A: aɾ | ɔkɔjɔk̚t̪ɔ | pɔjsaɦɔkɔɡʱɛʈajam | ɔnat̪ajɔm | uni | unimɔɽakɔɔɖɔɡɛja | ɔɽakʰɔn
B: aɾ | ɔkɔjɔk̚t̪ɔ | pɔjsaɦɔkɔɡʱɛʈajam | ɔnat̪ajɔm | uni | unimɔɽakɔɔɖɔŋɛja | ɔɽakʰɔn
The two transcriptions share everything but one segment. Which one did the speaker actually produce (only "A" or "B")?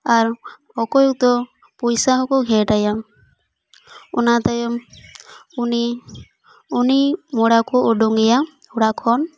B